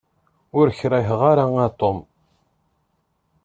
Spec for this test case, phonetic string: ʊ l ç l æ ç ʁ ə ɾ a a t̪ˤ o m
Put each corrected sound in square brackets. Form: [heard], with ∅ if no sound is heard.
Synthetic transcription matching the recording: ʊ [ɾ] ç [ɾ] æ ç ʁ [a] ɾ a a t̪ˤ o m